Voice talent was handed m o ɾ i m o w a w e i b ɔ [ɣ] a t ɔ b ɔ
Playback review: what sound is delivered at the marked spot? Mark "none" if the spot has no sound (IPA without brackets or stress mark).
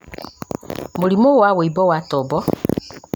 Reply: w